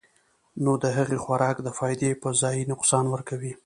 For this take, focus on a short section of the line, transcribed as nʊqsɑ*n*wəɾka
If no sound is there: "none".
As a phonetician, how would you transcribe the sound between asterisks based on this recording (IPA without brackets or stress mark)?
n